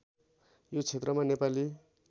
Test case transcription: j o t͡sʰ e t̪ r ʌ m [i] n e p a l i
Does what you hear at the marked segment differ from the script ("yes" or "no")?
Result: yes